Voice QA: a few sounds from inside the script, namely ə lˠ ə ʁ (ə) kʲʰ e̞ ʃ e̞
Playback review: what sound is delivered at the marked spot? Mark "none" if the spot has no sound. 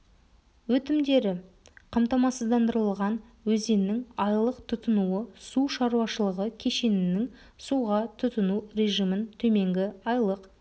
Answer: ə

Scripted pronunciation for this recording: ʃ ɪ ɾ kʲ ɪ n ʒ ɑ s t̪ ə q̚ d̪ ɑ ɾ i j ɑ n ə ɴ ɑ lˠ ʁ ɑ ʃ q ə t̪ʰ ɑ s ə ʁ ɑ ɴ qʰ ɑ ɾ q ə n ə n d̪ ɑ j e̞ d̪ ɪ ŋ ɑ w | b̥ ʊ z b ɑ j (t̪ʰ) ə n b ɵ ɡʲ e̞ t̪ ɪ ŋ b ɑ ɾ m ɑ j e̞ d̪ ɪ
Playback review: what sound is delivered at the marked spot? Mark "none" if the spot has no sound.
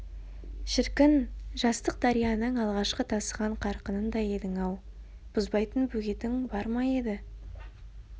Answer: t̪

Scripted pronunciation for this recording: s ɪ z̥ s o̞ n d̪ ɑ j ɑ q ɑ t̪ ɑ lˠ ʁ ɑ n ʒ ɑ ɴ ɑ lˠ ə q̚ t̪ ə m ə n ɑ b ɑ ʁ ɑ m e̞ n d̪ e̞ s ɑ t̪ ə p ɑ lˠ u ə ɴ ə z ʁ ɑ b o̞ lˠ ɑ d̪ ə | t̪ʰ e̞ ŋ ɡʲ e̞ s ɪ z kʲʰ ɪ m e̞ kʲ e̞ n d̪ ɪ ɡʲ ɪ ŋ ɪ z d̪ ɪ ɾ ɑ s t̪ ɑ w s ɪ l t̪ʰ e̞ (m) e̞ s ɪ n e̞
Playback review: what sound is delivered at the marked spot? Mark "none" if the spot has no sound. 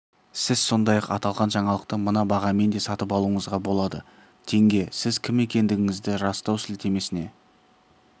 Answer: m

